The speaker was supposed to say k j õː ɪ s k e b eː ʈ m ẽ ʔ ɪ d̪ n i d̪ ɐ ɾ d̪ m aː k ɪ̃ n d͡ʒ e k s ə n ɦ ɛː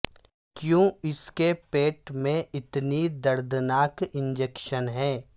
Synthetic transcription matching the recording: k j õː ɪ s k e p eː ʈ m ẽ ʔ ɪ t̪ n i d̪ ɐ ɾ d̪ n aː k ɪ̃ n d͡ʒ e k ʃ ə n ɦ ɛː